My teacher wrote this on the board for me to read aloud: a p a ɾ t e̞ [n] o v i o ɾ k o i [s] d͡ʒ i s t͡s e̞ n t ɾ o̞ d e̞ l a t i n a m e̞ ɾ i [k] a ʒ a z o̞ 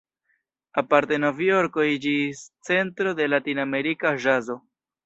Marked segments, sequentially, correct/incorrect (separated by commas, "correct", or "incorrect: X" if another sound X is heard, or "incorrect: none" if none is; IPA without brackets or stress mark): correct, incorrect: none, correct